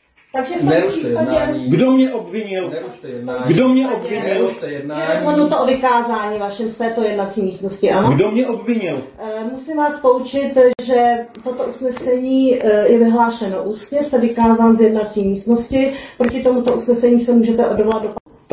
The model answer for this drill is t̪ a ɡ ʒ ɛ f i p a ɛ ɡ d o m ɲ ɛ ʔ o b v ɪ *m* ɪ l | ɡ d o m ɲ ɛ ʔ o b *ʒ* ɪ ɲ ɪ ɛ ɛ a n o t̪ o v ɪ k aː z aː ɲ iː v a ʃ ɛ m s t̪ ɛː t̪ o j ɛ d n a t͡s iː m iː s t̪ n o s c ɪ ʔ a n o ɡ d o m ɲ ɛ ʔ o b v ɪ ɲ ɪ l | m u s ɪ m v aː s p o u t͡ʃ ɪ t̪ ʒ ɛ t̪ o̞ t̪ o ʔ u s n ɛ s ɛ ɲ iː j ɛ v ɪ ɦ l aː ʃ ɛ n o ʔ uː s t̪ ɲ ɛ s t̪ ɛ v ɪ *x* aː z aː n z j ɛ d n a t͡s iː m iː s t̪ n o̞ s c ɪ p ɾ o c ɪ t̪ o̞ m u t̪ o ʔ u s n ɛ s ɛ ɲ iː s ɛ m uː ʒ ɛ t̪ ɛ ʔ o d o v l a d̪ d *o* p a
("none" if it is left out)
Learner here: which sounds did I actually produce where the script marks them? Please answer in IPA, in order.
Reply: ɲ, v, k, o

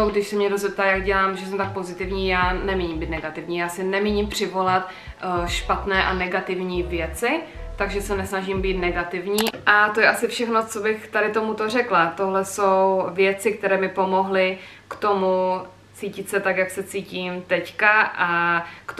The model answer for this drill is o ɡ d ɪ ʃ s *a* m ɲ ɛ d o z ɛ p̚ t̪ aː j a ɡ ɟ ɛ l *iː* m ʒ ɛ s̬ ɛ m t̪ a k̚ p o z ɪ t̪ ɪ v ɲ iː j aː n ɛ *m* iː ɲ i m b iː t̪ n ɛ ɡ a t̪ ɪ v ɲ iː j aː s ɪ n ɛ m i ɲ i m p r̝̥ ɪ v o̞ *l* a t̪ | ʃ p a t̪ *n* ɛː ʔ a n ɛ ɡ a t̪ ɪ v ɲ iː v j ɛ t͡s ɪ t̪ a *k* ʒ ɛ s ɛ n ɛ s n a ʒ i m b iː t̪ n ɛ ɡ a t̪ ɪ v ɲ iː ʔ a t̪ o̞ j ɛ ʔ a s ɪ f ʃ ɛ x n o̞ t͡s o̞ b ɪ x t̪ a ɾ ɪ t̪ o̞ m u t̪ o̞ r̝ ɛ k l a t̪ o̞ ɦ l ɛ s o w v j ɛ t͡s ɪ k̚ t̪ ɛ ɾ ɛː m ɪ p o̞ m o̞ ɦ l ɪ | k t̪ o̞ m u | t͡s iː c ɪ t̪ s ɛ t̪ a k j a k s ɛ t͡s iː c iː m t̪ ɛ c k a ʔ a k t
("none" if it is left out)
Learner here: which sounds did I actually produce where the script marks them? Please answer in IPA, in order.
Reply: ɛ, aː, m, l, n, ɡ

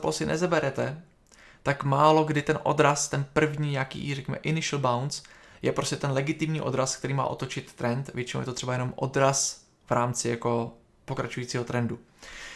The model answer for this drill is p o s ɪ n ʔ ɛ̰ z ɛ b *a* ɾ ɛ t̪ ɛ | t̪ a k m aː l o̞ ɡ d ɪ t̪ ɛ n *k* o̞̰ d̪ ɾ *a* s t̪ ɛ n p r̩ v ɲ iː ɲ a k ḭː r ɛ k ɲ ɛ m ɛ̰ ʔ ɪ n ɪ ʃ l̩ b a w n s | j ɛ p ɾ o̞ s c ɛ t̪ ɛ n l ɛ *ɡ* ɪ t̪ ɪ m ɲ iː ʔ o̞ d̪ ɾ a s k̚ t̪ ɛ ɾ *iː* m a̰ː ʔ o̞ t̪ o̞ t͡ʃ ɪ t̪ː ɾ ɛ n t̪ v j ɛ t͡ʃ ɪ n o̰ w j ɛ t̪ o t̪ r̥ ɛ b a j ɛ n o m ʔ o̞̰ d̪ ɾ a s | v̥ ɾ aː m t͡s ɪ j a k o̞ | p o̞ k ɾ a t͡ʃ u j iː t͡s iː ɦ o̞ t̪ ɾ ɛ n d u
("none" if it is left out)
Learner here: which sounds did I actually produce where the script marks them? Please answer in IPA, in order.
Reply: ɛ, ʔ, a, ɡ, iː

